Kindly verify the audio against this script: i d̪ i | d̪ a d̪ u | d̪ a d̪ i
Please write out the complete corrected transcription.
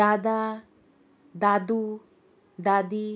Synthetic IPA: a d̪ a | d̪ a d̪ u | d̪ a d̪ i